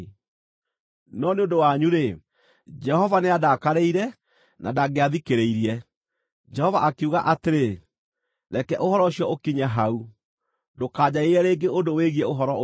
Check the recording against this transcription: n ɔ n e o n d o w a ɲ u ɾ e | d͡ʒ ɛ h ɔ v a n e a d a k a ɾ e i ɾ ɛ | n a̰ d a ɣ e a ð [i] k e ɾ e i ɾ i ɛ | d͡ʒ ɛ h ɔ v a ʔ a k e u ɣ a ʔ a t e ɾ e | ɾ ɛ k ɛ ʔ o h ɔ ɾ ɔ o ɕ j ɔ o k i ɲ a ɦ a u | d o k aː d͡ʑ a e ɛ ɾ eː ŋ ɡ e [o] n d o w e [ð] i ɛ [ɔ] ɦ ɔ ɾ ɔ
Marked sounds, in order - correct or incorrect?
correct, correct, incorrect, incorrect

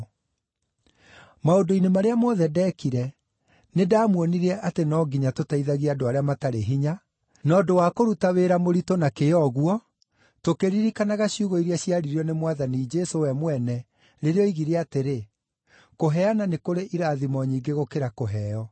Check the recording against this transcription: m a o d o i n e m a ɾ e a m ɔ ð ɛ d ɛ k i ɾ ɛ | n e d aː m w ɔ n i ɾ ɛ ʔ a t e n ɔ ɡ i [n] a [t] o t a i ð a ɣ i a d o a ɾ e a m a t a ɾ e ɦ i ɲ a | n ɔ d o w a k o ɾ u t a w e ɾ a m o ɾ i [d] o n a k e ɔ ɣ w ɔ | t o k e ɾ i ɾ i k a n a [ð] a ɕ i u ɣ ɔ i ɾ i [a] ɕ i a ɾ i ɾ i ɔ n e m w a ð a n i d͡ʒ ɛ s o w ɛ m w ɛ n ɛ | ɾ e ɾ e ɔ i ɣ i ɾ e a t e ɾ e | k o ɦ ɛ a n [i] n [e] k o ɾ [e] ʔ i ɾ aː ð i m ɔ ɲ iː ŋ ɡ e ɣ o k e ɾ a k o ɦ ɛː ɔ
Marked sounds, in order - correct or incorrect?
incorrect, correct, incorrect, incorrect, correct, incorrect, correct, correct

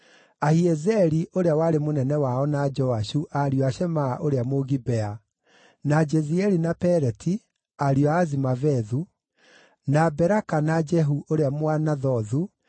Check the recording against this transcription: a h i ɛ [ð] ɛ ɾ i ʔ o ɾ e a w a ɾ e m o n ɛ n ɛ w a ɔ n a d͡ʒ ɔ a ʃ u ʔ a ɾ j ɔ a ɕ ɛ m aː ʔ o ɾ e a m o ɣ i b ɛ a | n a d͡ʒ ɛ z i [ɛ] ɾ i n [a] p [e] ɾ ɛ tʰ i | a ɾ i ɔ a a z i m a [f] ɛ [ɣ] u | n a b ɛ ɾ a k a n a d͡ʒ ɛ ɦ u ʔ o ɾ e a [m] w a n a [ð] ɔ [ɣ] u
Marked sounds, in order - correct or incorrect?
incorrect, correct, correct, incorrect, incorrect, incorrect, correct, correct, incorrect

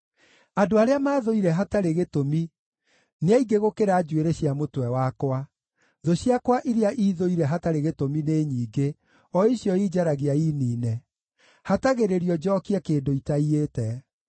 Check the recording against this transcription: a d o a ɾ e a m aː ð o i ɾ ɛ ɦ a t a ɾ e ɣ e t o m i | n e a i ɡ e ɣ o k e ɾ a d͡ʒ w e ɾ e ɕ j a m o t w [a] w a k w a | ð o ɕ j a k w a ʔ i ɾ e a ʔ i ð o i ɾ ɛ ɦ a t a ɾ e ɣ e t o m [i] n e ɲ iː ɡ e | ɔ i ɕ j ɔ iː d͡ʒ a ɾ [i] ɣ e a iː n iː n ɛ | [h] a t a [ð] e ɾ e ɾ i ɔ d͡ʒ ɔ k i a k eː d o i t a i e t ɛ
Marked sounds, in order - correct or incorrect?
incorrect, correct, incorrect, correct, incorrect

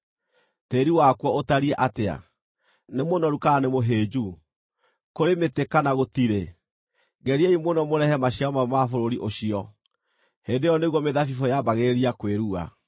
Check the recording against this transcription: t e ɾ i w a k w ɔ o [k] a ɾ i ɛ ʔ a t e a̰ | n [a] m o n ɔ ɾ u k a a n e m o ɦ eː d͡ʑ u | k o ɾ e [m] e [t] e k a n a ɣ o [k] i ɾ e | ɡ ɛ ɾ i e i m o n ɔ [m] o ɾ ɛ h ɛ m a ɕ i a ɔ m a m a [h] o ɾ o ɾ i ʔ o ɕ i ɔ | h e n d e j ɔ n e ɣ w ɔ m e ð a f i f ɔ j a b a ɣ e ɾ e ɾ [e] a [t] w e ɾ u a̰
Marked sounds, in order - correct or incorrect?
incorrect, incorrect, correct, correct, incorrect, correct, incorrect, incorrect, incorrect

